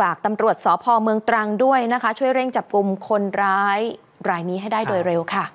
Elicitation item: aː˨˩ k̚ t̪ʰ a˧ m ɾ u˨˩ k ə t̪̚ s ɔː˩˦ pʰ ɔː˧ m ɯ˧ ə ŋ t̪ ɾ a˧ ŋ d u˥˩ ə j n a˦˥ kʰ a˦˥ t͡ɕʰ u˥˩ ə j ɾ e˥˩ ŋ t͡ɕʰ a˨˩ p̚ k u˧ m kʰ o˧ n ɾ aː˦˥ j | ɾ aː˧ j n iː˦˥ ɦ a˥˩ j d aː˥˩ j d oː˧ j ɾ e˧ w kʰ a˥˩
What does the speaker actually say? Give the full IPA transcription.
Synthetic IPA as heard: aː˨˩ k̚ t̪ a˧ m ɾ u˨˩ ə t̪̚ s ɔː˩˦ pʰ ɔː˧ m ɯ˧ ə ŋ t̪ ɾ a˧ ŋ d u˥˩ ə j n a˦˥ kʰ a˦˥ t͡ɕʰ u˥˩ ə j ɾ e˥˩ ŋ t͡ɕ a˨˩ p̚ k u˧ m kʰ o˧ n ɾ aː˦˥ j | ɾ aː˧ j n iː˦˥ ɦ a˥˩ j d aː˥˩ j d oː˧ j ɾ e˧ w kʰ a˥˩

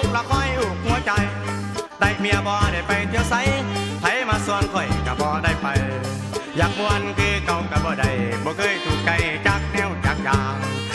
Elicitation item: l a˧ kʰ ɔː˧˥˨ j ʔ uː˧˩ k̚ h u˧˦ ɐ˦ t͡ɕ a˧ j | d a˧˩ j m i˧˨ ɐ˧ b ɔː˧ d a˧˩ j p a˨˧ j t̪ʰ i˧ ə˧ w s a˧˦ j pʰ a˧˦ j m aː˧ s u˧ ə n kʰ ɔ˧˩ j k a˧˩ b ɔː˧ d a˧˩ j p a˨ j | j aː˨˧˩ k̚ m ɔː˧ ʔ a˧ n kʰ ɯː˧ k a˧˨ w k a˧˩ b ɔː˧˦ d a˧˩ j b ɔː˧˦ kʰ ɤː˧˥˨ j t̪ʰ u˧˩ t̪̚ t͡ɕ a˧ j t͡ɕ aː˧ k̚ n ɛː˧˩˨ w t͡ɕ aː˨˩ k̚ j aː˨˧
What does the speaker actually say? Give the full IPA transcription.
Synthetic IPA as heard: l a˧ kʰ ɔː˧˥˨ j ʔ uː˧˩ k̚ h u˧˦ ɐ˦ t͡ɕ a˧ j | d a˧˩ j m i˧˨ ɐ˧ b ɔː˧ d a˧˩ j p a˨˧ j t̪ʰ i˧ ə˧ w s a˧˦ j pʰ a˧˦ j m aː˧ s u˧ ə n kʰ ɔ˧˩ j k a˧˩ b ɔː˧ d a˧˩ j p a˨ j | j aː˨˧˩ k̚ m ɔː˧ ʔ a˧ n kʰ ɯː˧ k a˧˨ w k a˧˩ b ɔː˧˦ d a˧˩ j b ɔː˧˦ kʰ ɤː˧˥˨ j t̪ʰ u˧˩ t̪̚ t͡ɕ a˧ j t͡ɕ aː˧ k̚ n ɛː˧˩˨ w t͡ɕ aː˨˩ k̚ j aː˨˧

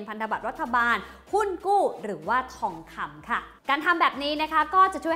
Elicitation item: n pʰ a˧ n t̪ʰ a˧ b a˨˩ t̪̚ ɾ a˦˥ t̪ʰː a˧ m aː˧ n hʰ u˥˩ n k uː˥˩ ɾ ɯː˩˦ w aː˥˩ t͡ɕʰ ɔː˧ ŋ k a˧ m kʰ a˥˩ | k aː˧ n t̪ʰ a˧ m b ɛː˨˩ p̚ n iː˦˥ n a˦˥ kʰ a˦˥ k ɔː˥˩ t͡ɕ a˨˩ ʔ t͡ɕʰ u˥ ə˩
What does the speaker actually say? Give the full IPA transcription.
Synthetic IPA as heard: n pʰ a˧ n t̪ʰ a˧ b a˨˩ t̪̚ ɾ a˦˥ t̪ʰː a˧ b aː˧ n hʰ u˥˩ n k uː˥˩ ɾ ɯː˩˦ w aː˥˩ t͡ɕʰ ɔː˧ ŋ kʰ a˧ m kʰ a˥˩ | k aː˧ n t̪ʰ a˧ m b ɛː˨˩ p̚ n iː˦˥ n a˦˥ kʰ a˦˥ k ɔː˥˩ t͡ɕ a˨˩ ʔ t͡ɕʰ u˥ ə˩

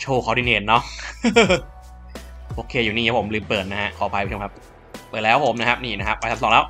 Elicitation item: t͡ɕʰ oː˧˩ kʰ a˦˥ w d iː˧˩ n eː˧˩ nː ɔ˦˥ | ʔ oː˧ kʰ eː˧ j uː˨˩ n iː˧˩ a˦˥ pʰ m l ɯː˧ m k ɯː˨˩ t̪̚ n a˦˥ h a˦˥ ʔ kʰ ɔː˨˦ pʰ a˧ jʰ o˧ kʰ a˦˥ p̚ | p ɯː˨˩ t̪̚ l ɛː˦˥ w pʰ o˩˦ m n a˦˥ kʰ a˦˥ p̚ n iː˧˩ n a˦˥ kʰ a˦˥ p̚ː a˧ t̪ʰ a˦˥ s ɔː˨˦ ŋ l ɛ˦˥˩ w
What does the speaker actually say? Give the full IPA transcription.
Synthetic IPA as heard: t͡ɕʰ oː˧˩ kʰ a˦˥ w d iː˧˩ n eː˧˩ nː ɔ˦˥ | ʔ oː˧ kʰ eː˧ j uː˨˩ n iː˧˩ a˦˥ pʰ m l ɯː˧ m p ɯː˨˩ t̪̚ n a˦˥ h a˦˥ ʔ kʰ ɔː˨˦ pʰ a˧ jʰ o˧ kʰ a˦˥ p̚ | p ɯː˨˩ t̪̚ l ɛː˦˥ w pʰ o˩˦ m n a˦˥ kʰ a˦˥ p̚ n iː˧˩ n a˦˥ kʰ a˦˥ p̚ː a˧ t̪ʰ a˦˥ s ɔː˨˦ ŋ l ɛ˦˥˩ w

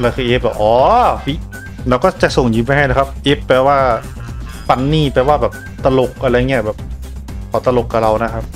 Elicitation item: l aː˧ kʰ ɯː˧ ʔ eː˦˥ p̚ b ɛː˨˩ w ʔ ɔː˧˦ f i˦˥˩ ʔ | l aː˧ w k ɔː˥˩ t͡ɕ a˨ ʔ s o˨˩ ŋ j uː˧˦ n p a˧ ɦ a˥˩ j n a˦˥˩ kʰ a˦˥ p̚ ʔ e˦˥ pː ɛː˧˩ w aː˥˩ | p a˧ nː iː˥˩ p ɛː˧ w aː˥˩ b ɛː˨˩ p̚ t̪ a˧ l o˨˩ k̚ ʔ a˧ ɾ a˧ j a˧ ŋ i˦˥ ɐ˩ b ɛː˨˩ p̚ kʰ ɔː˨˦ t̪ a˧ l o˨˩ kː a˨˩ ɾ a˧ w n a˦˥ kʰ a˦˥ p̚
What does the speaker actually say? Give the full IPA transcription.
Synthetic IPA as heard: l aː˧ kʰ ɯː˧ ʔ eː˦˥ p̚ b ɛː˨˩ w ʔ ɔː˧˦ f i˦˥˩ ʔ | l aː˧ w k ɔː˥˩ t͡ɕ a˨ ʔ s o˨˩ ŋ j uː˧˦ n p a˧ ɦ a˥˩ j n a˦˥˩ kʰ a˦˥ p̚ ʔ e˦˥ pː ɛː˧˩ w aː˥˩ | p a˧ nː iː˥˩ p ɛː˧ w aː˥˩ b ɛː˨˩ p̚ t̪ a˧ l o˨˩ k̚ ʔ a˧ ɾ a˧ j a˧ ŋ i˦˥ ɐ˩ b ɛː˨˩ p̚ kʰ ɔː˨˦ t̪ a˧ l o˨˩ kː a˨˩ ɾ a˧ w n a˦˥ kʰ a˦˥ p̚

